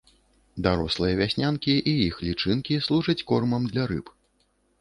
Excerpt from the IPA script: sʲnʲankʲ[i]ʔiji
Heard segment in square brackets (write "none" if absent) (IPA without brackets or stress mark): i